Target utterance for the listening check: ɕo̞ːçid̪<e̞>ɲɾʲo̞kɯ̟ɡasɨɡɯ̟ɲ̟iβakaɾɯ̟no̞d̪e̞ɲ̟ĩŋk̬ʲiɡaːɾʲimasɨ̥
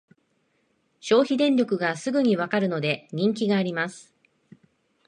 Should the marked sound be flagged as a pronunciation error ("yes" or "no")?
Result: yes